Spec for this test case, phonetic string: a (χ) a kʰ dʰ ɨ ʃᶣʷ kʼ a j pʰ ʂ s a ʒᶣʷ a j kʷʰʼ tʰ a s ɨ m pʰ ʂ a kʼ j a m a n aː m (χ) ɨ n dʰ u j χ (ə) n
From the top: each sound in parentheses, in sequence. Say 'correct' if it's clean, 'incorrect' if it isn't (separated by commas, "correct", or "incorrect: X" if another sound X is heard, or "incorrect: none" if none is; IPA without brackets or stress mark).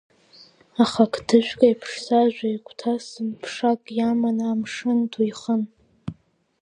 correct, incorrect: ʂ, correct